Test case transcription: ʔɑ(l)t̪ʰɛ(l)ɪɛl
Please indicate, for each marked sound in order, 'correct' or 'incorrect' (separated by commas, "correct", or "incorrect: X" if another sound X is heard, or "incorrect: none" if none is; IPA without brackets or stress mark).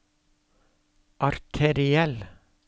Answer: incorrect: ɾ, incorrect: ɾ